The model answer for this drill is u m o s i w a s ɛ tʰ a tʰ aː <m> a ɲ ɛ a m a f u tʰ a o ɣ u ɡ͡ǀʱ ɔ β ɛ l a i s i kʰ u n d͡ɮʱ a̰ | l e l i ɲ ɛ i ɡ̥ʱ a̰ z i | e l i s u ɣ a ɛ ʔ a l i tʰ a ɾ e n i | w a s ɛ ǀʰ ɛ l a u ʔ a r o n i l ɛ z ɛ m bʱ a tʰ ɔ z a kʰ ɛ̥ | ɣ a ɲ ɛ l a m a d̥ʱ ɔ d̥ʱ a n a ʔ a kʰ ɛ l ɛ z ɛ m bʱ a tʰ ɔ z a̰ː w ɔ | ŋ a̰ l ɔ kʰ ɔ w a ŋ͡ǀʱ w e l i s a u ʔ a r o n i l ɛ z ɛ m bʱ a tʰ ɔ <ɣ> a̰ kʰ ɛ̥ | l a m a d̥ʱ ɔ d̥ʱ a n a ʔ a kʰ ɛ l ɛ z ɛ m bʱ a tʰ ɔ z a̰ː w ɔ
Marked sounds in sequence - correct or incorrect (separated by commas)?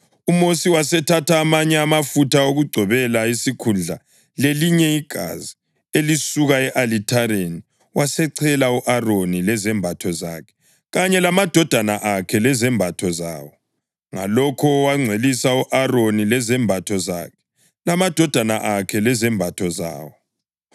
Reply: correct, incorrect